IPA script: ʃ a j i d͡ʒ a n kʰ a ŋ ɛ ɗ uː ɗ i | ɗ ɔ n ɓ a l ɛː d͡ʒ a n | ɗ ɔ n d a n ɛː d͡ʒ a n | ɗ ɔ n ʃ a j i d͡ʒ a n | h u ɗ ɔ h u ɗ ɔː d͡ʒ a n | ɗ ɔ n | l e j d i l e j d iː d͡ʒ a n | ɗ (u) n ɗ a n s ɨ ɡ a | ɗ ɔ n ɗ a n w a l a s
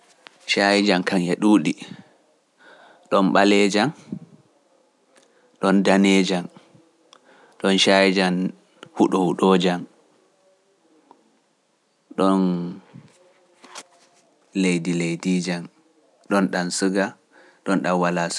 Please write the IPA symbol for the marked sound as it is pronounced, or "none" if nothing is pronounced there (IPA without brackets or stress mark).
ɔ